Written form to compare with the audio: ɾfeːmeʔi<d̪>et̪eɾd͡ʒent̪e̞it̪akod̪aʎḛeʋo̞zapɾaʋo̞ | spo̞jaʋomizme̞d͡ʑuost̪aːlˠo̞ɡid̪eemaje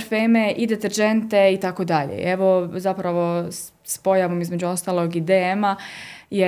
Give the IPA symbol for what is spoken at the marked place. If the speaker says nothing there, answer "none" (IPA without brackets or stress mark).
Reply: d̪